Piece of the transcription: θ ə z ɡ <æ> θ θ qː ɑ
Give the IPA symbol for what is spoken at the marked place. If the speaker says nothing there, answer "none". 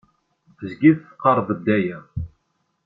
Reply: i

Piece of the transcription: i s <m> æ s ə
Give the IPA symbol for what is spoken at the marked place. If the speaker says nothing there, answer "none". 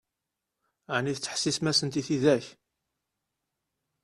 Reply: m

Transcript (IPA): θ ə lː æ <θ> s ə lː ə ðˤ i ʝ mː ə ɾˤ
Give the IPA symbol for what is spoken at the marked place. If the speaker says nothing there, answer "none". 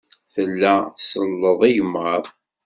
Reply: θ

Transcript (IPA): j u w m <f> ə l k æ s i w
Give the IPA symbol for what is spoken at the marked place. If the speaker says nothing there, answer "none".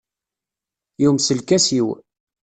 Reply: s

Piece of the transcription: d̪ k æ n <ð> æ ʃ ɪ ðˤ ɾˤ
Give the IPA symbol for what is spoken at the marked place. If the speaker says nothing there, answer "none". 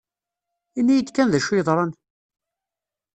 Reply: ð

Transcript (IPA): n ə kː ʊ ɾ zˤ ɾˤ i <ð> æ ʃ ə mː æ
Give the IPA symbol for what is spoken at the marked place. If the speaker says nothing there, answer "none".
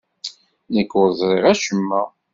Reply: ʁ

